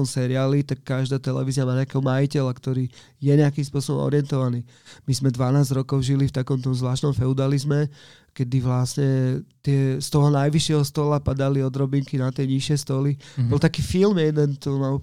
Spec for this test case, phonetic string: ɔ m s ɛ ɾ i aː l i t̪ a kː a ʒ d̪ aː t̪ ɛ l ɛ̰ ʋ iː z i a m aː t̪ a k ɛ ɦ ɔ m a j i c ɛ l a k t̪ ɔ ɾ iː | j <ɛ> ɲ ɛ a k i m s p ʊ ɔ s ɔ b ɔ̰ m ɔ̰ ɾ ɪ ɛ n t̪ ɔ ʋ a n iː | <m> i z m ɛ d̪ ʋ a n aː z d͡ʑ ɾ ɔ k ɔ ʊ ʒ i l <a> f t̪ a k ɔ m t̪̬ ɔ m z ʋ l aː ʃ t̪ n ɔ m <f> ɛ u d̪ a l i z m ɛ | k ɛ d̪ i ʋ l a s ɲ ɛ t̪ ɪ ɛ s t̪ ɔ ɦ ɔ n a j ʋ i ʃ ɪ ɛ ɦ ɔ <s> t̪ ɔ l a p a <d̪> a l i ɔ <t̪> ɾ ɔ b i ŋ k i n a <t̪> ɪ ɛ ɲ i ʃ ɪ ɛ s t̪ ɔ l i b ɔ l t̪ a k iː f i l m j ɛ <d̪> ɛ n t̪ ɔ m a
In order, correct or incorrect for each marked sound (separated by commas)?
correct, correct, incorrect, correct, correct, correct, incorrect, correct, correct